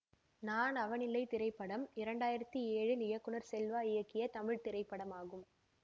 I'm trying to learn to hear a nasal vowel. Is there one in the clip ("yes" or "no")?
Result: no